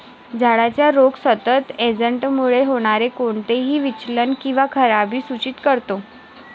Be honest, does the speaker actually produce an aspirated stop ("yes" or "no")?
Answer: yes